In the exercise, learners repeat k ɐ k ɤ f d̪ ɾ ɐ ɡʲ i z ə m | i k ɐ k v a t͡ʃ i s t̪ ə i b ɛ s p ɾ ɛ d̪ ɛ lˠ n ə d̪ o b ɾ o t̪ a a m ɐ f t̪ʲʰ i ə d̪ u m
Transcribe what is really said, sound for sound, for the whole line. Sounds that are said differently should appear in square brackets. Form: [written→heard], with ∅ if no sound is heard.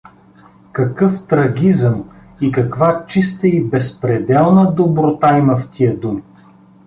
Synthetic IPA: k ɐ k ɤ f [d̪→t̪] ɾ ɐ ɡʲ i z ə m | i k ɐ k v a t͡ʃ i s t̪ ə i b ɛ s p ɾ ɛ d̪ ɛ lˠ n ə d̪ o b ɾ o t̪ a [a→i] m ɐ f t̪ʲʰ i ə d̪ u m

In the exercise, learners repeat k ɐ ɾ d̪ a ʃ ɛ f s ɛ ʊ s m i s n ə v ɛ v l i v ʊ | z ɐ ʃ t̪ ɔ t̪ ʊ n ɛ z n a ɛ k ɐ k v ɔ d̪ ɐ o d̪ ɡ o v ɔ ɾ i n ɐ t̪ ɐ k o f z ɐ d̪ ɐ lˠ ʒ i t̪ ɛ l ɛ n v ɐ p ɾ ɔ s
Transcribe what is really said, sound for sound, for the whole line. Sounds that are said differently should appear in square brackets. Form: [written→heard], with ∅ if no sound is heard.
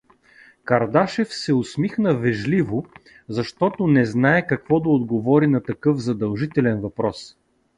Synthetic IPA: k ɐ ɾ d̪ a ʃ ɛ f s ɛ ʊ s m i [s→x] n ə v ɛ [v→ʒ] l i v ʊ | z ɐ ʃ t̪ ɔ t̪ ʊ n ɛ z n a ɛ k ɐ k v ɔ d̪ ɐ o d̪ ɡ o v ɔ ɾ i n ɐ t̪ ɐ k [o→ɤ] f z ɐ d̪ ɐ lˠ ʒ i t̪ ɛ l ɛ n v ɐ p ɾ ɔ s

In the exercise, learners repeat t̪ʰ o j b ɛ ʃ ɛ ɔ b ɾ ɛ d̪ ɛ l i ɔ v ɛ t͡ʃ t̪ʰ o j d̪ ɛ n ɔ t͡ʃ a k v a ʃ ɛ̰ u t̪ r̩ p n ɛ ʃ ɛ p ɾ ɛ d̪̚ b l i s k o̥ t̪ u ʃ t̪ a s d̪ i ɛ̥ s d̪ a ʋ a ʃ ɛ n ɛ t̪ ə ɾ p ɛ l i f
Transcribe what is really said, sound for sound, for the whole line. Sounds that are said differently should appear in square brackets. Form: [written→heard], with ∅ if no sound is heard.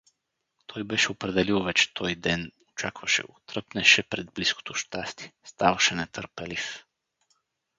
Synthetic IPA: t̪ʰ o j b ɛ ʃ ɛ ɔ [b→p] ɾ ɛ d̪ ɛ l i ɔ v ɛ t͡ʃ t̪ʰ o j d̪ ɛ n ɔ t͡ʃ a k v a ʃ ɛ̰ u t̪ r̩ p n ɛ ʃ ɛ p ɾ ɛ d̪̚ b l i s k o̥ t̪ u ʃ t̪ a s [d̪→t̪] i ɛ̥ s [d̪→t̪] a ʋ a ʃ ɛ n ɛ t̪ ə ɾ p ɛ l i f

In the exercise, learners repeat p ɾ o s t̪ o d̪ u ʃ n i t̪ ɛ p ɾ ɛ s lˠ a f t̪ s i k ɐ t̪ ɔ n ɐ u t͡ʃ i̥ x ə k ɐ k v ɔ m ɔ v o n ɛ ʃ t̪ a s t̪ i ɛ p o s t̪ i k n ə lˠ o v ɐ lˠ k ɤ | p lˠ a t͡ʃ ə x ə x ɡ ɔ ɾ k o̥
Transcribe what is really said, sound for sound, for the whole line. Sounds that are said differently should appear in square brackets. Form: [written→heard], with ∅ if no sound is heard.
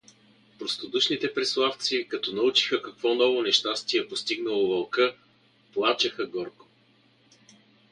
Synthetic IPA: p ɾ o s t̪ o d̪ u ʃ n i t̪ ɛ p ɾ ɛ s lˠ a f t̪ s i k ɐ t̪ ɔ n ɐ u t͡ʃ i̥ x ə k ɐ k v ɔ [m→n] ɔ v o n ɛ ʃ t̪ a s t̪ i ɛ p o s t̪ i [k→ɡ] n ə lˠ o v ɐ lˠ k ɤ | p lˠ a t͡ʃ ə x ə [x→∅] ɡ ɔ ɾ k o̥

